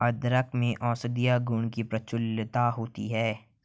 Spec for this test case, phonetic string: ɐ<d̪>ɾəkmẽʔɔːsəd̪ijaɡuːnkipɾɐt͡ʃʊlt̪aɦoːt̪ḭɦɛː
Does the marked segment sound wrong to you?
no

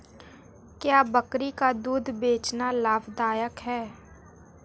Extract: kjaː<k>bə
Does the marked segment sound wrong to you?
yes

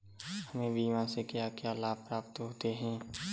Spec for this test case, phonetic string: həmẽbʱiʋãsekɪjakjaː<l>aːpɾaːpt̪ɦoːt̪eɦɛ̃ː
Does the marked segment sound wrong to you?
no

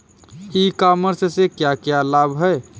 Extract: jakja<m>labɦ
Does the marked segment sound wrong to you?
yes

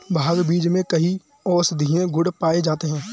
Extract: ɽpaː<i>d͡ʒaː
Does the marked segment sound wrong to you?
yes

